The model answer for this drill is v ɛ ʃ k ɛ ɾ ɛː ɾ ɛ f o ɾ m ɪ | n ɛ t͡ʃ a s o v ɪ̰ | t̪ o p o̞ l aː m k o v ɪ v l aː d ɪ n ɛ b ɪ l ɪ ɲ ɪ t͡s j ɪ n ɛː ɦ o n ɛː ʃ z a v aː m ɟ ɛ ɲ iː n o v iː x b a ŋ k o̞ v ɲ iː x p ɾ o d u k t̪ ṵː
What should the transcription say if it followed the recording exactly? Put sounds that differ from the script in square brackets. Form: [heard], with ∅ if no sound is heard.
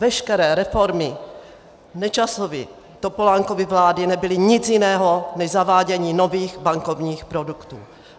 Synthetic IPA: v ɛ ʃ k ɛ ɾ ɛː ɾ ɛ f o ɾ m ɪ | n ɛ t͡ʃ a s o v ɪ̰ | t̪ o p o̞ l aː [ŋ] k o v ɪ v l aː d ɪ n ɛ b ɪ l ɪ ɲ ɪ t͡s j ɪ n ɛː ɦ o n [ɛ] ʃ z a v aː [∅] ɟ ɛ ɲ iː n o v iː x b a ŋ k o̞ v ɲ iː x p ɾ o d u k t̪ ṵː